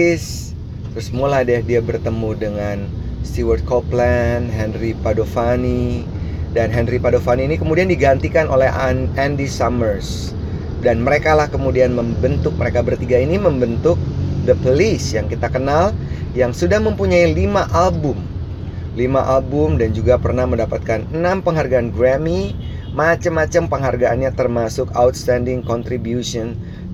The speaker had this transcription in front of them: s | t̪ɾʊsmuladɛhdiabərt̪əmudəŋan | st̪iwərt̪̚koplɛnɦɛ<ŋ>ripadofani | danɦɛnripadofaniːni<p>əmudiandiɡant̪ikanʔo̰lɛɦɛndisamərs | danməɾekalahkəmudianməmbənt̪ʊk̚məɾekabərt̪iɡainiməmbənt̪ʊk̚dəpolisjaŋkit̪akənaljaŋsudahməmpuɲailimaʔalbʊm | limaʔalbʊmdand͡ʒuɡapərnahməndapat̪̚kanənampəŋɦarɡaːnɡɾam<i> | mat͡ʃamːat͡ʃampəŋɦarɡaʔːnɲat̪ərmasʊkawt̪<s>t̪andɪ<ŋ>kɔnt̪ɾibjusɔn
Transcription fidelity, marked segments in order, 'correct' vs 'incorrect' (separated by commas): incorrect, incorrect, correct, correct, correct